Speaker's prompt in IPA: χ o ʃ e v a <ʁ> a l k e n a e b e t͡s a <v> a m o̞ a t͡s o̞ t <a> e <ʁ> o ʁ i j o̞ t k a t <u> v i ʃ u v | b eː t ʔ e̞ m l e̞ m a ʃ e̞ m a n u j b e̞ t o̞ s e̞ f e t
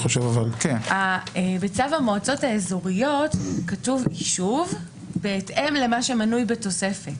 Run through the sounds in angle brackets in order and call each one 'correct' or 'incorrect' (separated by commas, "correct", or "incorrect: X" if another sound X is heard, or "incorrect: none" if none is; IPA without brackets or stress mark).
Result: incorrect: v, correct, correct, incorrect: z, correct